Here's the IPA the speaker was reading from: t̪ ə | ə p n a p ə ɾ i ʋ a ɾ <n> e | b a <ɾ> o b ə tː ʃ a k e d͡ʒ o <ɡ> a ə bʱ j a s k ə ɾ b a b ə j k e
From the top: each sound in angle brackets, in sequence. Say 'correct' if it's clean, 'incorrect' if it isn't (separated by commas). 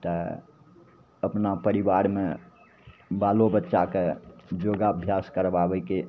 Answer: incorrect, incorrect, correct